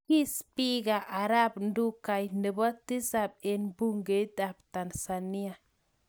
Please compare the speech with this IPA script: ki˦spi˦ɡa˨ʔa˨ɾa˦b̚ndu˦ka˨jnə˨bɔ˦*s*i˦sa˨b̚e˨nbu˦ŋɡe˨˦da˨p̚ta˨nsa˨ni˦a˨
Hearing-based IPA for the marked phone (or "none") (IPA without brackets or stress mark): t